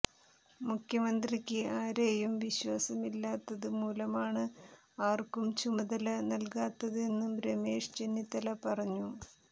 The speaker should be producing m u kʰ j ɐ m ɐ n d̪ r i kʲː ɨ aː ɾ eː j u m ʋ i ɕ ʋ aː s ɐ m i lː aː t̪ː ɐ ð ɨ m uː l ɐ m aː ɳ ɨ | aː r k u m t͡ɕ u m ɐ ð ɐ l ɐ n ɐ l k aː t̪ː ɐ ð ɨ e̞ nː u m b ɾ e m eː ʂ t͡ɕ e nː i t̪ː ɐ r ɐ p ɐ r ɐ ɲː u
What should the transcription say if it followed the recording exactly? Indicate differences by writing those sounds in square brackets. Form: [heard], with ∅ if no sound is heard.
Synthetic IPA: m u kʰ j ɐ m ɐ n d̪ r i kʲː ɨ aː ɾ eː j u m ʋ i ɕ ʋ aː s ɐ m i lː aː t̪ː ɐ ð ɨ m uː l ɐ m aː ɳ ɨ | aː r k u m t͡ɕ u m ɐ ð ɐ l ɐ n ɐ l k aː t̪ː ɐ ð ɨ e̞ nː u m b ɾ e m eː ʂ t͡ɕ e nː i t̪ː ɐ [l] ɐ p ɐ r ɐ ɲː u